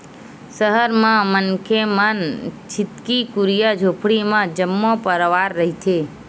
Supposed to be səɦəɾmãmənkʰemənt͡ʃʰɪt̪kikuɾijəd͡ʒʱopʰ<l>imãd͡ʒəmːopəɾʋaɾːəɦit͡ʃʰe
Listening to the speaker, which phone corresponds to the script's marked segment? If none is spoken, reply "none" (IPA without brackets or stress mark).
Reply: ɽ